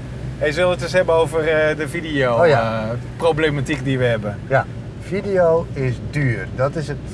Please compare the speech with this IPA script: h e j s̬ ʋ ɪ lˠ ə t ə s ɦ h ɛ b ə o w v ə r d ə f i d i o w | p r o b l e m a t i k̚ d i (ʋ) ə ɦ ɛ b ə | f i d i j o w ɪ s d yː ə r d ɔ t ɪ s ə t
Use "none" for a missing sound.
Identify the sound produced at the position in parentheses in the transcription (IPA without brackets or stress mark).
ʋ